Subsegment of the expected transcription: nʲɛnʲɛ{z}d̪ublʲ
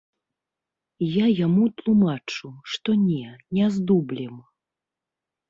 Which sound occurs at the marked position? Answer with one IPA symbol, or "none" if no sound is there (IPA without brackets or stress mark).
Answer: z